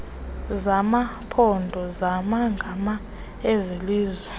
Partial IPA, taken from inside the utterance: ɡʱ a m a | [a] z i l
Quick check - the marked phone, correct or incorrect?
incorrect